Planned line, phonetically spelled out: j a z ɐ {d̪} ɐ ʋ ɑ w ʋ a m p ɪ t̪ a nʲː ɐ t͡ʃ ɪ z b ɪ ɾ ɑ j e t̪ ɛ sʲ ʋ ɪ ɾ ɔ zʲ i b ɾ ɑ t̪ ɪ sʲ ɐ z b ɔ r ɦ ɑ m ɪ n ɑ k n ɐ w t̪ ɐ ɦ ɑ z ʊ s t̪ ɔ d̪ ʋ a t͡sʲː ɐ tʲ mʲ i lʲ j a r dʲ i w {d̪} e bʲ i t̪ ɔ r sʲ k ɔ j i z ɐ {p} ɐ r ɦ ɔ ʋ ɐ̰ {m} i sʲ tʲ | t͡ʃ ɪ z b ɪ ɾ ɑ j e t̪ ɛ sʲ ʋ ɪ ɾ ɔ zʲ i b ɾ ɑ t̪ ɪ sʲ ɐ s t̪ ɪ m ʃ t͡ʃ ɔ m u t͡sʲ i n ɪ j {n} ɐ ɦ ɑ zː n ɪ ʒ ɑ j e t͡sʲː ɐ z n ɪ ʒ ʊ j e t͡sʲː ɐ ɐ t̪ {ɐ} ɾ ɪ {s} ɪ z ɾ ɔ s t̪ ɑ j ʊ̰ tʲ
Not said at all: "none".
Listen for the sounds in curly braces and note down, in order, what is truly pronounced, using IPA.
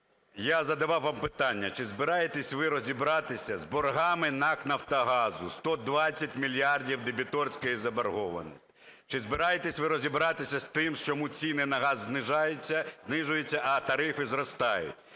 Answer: d̪, d̪, b, n, n, ɐ, f

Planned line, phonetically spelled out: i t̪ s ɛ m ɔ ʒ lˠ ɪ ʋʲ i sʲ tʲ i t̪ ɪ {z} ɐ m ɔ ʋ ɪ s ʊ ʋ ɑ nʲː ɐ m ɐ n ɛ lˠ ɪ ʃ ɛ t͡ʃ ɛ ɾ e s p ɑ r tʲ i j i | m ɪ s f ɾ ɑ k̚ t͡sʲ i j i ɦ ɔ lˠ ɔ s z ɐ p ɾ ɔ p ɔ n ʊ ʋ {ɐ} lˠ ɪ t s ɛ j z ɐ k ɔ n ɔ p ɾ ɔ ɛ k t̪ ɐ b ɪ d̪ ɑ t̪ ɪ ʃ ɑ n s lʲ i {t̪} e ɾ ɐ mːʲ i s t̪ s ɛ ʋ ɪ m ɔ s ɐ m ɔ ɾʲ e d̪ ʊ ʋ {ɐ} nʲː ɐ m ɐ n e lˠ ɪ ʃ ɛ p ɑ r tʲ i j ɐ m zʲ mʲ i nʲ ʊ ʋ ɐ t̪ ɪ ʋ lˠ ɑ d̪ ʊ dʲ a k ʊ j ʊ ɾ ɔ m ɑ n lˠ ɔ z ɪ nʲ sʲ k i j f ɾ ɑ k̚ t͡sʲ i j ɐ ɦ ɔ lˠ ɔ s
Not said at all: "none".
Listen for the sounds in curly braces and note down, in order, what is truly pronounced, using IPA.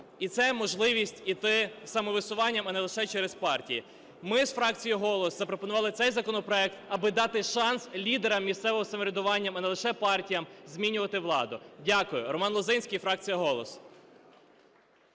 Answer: s, ɑ, d̪, ɑ

